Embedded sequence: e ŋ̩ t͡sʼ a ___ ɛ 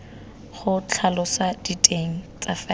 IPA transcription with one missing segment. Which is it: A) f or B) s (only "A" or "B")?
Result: A